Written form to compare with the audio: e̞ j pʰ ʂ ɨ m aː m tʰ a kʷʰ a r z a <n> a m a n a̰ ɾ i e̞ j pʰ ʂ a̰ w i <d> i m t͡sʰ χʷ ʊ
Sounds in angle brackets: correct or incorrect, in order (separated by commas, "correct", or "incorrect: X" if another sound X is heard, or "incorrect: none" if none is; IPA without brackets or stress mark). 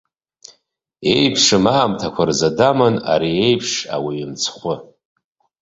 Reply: incorrect: d, incorrect: none